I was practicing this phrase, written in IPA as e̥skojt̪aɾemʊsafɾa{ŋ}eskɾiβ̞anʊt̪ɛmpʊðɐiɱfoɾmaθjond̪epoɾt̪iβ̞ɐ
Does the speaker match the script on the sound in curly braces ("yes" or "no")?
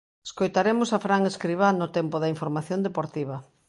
yes